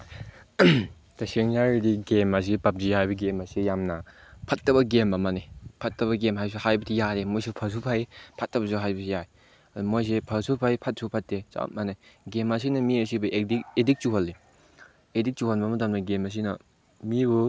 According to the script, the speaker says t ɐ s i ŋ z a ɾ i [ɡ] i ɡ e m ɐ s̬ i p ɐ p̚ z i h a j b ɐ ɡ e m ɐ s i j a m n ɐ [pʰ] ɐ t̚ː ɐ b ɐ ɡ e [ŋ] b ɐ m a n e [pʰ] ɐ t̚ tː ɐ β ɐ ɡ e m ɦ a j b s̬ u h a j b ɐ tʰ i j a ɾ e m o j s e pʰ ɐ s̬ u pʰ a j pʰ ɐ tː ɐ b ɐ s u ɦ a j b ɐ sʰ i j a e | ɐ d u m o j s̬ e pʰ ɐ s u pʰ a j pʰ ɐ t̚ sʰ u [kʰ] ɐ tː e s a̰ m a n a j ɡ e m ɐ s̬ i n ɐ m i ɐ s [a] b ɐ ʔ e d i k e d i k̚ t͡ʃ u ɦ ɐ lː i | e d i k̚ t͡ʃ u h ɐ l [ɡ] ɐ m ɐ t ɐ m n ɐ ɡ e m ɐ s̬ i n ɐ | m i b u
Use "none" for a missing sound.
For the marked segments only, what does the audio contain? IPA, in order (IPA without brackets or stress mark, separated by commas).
d, pʰ, m, pʰ, pʰ, i, b